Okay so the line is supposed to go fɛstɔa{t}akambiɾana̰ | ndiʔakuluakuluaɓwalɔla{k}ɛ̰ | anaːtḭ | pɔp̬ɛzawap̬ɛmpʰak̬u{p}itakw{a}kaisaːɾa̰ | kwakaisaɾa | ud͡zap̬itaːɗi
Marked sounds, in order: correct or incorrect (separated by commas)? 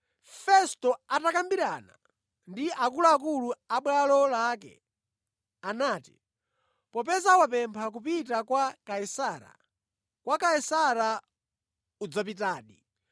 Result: correct, correct, correct, correct